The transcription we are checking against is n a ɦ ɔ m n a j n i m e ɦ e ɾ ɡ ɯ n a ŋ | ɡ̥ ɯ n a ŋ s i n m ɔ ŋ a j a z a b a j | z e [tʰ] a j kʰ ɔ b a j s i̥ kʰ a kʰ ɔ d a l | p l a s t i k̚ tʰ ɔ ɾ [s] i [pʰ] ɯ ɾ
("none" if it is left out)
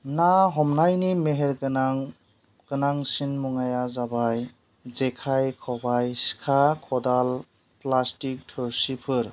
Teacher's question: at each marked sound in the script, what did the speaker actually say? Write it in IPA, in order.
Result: kʰ, s, pʰ

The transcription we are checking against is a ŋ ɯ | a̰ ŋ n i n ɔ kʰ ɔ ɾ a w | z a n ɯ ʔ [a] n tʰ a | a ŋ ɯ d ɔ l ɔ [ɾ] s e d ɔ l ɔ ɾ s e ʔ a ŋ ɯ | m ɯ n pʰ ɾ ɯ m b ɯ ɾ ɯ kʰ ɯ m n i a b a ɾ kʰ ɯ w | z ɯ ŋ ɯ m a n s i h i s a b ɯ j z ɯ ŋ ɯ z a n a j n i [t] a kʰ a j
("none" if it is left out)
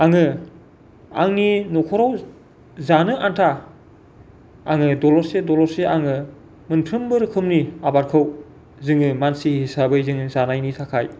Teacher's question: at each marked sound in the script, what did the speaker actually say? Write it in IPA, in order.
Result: a, ɾ, tʰ

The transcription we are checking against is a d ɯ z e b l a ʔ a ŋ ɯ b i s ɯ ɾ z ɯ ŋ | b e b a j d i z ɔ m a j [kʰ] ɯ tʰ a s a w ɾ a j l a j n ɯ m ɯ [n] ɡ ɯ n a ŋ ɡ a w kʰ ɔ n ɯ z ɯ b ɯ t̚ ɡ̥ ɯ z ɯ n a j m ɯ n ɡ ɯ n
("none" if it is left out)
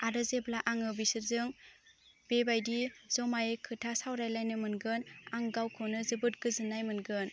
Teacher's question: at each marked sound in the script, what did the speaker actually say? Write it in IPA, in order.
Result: kʰ, n

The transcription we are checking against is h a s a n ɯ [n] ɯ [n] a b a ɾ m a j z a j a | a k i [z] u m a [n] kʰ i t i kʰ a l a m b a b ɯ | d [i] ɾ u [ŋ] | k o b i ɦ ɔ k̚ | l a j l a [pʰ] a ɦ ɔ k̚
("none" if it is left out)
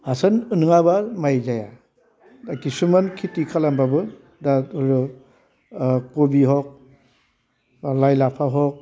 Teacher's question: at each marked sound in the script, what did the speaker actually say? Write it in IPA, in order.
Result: n, ŋ, s, n, a, none, pʰ

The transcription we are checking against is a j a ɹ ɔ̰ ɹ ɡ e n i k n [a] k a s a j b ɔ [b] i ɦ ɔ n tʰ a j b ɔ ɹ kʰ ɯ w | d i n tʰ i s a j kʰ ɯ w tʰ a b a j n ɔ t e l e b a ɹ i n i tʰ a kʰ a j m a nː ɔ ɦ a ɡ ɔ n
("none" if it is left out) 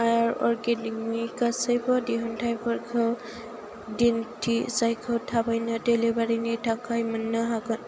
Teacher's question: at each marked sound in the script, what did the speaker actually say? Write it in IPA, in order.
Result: i, d

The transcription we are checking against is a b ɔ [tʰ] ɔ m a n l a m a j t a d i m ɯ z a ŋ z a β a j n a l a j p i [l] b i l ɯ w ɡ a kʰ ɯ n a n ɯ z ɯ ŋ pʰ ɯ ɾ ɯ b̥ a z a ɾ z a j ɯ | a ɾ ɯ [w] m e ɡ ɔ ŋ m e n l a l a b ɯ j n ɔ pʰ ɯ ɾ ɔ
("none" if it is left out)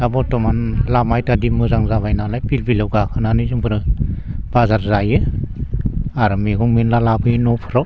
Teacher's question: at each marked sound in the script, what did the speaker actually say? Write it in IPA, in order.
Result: t, l, none

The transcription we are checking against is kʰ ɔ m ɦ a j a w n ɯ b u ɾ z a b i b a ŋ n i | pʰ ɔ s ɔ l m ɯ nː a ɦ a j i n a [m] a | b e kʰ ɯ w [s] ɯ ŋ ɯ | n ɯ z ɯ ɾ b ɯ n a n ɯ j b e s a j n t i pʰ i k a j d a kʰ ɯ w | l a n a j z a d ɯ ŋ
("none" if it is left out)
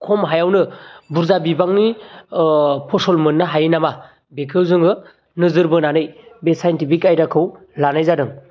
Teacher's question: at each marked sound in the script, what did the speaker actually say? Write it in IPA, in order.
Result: m, z

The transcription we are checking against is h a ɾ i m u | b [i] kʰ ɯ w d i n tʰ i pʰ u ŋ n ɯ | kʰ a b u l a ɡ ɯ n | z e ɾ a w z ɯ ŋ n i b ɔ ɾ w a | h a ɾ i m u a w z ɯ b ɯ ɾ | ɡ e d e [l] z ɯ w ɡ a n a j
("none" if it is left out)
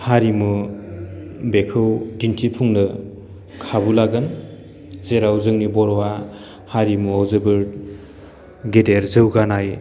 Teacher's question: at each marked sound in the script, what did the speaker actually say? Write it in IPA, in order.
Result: e, ɾ

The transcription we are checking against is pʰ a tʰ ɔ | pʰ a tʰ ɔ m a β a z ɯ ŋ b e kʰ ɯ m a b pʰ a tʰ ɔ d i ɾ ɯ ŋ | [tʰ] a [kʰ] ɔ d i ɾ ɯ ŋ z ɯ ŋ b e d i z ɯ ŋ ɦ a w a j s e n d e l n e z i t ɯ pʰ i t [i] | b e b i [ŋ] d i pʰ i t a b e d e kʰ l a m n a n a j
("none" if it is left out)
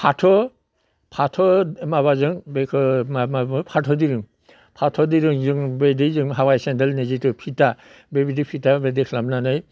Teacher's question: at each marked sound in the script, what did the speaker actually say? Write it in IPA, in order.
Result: pʰ, tʰ, a, none

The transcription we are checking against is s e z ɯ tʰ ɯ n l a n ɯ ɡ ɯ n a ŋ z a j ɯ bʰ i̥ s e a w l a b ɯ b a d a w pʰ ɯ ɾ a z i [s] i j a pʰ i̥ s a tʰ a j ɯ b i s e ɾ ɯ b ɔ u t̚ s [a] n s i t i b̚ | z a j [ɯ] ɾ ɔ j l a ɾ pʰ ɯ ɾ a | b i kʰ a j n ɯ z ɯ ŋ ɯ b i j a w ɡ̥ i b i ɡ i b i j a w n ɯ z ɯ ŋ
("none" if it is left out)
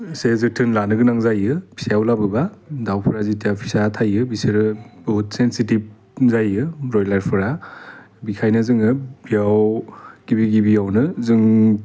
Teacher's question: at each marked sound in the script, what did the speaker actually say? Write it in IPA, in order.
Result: t, e, ɯ

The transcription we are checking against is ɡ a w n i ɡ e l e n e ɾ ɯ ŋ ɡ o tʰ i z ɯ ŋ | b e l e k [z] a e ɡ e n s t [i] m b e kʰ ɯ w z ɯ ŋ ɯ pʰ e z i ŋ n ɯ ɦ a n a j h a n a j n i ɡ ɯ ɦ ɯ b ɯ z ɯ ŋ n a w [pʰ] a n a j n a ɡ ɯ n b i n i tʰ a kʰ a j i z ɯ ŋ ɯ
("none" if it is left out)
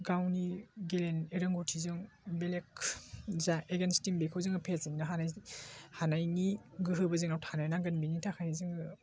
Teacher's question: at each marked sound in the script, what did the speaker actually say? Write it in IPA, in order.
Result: z, i, tʰ

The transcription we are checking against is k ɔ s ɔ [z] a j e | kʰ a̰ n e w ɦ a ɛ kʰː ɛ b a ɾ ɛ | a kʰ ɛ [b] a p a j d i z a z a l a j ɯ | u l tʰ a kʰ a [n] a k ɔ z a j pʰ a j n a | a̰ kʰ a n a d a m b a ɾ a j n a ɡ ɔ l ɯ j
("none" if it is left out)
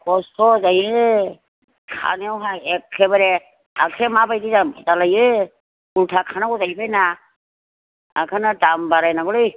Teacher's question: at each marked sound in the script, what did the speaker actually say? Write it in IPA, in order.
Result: z, m, n

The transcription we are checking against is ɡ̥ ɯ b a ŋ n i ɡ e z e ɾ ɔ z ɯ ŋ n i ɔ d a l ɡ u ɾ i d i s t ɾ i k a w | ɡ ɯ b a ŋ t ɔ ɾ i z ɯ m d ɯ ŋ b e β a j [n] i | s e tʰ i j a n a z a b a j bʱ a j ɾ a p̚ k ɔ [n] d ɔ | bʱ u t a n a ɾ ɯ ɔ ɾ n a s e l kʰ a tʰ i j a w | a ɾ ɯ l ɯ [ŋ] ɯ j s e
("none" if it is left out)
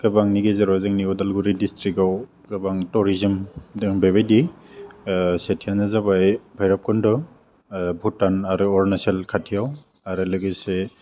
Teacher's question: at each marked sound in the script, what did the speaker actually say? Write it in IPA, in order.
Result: d, n, ɡ

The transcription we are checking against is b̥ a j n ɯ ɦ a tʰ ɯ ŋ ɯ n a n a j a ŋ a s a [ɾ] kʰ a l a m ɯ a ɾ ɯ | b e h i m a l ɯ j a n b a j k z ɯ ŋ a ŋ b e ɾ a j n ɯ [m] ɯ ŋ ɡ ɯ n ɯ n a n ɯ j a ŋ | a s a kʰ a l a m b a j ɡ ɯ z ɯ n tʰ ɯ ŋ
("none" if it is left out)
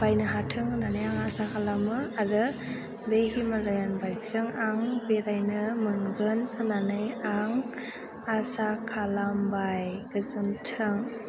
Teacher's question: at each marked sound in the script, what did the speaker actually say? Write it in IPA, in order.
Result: none, m

